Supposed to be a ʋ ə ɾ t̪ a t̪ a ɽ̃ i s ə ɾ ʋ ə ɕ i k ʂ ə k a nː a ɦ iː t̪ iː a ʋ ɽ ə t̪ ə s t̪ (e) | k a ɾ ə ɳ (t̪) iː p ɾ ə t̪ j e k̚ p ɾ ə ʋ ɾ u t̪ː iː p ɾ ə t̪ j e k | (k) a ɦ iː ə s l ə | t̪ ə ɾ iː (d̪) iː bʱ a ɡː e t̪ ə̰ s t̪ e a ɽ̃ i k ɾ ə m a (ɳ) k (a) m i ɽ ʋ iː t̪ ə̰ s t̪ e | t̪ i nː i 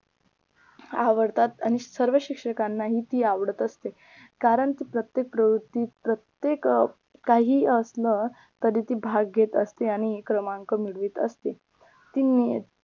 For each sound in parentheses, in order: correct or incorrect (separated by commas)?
correct, correct, correct, incorrect, incorrect, incorrect